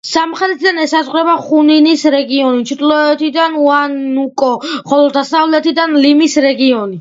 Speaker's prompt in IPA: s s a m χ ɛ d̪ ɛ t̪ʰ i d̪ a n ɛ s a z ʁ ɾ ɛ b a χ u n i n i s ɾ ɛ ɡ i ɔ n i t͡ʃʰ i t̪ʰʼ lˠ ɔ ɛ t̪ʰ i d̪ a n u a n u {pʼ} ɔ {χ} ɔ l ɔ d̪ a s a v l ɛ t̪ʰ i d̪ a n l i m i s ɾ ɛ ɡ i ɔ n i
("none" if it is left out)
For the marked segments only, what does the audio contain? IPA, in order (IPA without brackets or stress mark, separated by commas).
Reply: kʼ, χ